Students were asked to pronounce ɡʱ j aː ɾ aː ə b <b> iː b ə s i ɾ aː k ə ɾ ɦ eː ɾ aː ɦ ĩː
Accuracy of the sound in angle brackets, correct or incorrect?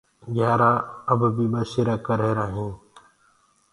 correct